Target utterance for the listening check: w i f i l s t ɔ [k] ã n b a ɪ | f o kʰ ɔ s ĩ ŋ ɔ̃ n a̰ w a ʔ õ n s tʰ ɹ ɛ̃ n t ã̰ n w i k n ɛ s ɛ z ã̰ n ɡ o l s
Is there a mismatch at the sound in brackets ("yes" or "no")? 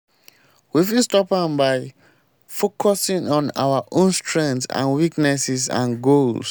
yes